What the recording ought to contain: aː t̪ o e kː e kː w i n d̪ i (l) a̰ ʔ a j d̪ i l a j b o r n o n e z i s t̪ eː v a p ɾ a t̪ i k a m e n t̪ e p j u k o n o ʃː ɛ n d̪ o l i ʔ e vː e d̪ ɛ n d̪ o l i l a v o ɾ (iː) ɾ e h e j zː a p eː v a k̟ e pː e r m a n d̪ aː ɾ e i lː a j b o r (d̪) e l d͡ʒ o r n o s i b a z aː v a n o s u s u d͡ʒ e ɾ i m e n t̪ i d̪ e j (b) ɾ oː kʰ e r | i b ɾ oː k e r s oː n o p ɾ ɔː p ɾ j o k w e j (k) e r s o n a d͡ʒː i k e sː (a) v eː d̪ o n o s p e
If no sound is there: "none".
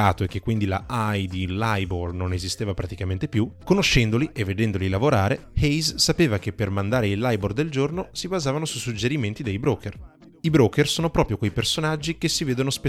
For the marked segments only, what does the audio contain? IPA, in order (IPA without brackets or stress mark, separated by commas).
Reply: l, aː, d̪, b, p, i